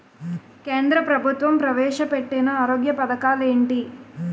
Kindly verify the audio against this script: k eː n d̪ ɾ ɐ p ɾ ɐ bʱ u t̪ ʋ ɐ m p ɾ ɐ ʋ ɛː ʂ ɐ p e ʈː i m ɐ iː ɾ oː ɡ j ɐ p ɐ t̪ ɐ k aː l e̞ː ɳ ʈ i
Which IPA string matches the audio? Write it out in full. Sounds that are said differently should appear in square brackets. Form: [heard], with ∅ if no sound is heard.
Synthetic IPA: k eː n d̪ ɾ ɐ p ɾ ɐ bʱ u t̪ ʋ ɐ m p ɾ ɐ ʋ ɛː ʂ ɐ p e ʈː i [n] ɐ [aː] ɾ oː ɡ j ɐ p ɐ [d̪] ɐ k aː l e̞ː ɳ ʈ i

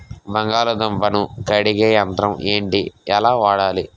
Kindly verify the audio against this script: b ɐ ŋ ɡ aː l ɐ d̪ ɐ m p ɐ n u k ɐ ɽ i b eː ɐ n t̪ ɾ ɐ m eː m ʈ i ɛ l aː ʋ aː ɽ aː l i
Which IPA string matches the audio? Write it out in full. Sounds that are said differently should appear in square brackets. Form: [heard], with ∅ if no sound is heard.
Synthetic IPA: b ɐ ŋ ɡ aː l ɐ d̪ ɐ m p ɐ n u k ɐ ɽ i [ɡ] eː ɐ n t̪ ɾ ɐ m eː [ɳ] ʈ i ɛ l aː ʋ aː ɽ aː l i

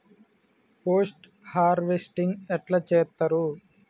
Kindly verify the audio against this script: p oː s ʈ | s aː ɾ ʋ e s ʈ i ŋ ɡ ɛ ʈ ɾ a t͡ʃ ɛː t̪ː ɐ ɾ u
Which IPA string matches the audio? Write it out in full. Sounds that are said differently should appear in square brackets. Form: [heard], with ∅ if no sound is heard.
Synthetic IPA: p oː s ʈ | [h] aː ɾ ʋ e s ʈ i ŋ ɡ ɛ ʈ [l] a t͡ʃ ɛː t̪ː ɐ ɾ u

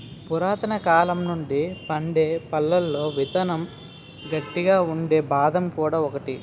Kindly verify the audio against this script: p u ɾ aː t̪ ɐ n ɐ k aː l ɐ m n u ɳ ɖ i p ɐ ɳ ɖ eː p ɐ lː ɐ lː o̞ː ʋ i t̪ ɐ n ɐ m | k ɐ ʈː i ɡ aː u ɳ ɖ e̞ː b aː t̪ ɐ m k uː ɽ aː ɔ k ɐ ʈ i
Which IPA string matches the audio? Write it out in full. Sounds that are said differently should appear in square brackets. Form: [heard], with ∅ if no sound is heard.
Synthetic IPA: p u ɾ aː t̪ ɐ n ɐ k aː l ɐ m n u ɳ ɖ i p ɐ ɳ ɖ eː p ɐ lː ɐ lː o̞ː ʋ i t̪ ɐ n ɐ m | [ɡ] ɐ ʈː i ɡ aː u ɳ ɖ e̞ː b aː [d̪] ɐ m k uː ɽ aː ɔ k ɐ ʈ i

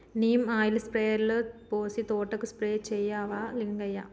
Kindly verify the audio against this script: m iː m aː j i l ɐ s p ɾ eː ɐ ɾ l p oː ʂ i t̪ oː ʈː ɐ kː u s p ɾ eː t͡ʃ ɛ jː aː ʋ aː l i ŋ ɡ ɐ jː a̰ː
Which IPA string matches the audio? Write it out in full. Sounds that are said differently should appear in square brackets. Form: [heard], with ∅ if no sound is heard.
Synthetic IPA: [n] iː m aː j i l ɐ s p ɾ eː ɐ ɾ l p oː [s] i t̪ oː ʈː ɐ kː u s p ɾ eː t͡ʃ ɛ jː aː ʋ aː l i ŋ ɡ ɐ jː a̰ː

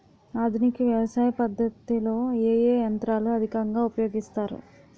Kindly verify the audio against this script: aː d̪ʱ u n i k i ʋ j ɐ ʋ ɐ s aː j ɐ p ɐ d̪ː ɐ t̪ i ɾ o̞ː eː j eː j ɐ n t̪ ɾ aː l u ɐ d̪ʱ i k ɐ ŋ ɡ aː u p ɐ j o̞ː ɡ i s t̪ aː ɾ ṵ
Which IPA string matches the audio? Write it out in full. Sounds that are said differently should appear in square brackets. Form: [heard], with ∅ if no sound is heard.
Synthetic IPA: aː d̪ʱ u n i k i ʋ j ɐ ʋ ɐ s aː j ɐ p ɐ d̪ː ɐ t̪ i [l] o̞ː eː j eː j ɐ n t̪ ɾ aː l u ɐ d̪ʱ i k ɐ ŋ ɡ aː u p ɐ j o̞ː ɡ i s t̪ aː ɾ ṵ

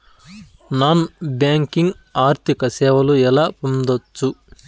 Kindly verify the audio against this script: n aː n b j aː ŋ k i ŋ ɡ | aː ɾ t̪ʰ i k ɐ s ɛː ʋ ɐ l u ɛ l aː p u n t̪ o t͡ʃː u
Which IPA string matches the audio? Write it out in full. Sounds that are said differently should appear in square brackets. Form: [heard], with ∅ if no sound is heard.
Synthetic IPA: n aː n b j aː ŋ k i ŋ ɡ | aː ɾ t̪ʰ i k ɐ s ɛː ʋ ɐ l u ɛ l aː p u n [d̪] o t͡ʃː u

